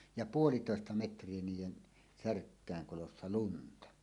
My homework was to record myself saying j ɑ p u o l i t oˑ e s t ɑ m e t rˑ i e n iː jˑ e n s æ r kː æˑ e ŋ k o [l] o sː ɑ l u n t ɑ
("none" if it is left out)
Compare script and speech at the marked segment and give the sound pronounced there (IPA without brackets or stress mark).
l